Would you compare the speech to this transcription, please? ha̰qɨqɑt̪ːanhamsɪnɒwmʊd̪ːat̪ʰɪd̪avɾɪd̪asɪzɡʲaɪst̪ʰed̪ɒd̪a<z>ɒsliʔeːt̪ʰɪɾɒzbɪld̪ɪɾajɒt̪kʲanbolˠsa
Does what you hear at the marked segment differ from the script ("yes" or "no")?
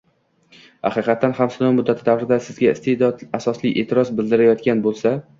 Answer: yes